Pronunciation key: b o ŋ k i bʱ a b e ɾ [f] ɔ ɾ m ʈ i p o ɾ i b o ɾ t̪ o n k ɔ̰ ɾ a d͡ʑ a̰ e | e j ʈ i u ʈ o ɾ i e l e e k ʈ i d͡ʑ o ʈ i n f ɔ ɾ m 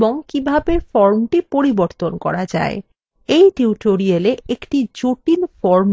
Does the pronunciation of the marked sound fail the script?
no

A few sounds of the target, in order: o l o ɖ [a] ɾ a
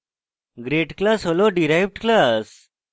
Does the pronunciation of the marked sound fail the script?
yes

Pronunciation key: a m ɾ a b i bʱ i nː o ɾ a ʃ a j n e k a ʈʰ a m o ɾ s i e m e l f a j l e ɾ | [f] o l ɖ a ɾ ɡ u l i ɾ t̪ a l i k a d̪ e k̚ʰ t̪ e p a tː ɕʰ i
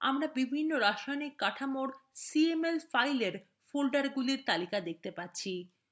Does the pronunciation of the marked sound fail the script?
no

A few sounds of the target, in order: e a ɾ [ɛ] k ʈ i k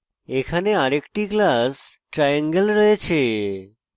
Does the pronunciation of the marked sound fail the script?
yes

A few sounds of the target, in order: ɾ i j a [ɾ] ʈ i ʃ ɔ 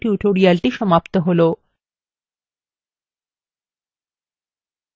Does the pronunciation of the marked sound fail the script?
yes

